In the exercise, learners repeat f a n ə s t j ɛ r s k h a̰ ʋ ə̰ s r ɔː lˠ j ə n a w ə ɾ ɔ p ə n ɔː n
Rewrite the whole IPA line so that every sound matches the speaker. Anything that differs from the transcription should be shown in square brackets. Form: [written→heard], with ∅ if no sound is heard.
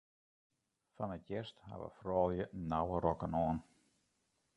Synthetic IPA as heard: f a n ə [s→∅] t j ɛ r s [k→t] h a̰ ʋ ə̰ [s→f] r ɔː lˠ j ə n a w ə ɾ ɔ [p→k] ə n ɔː n